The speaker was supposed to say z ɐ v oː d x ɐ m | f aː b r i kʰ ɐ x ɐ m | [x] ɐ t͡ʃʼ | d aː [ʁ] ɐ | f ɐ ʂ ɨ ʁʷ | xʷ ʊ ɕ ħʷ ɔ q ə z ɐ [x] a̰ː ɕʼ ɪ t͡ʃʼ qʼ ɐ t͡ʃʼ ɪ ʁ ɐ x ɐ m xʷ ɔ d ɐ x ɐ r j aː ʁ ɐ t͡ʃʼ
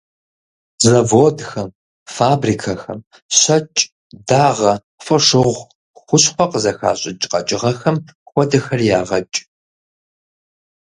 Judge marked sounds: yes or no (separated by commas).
no, yes, yes